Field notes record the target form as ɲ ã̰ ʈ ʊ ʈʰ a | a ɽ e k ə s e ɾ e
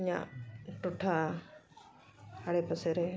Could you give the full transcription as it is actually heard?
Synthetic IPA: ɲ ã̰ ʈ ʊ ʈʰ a | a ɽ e p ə s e ɾ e